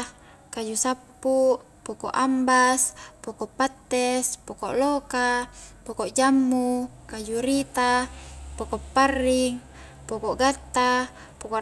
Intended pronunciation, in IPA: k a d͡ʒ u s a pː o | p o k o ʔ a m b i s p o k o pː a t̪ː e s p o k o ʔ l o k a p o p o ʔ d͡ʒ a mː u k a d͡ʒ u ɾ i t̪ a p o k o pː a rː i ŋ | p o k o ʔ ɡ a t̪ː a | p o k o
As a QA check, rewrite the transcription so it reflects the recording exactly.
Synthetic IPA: k a d͡ʒ u s a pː u | p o k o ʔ a m b a s p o k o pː a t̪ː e s p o k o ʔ l o k a p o k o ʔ d͡ʒ a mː u k a d͡ʒ u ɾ i t̪ a p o k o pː a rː i ŋ | p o k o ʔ ɡ a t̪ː a | p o k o